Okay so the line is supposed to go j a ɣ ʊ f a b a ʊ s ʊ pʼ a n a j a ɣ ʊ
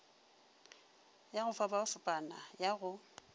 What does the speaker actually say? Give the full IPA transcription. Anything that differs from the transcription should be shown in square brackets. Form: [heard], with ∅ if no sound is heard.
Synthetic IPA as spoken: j a ɣ ʊ f a b a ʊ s ʊ pʼ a n a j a ɣ ʊ